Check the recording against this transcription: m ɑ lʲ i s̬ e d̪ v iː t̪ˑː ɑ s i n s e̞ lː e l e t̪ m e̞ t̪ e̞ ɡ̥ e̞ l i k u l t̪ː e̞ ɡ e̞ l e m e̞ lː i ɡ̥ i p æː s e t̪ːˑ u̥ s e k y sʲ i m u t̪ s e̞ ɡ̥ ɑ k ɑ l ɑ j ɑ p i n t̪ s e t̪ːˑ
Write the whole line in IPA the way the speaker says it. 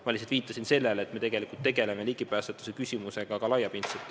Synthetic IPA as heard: m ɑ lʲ i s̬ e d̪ v iː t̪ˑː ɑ s i n s e̞ lː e l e t̪ m e̞ t̪ e̞ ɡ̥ e̞ l i k u l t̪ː e̞ ɡ e̞ l e m e̞ l i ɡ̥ i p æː s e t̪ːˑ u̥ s e k y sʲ i m u s e̞ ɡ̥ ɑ k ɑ l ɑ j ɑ p i n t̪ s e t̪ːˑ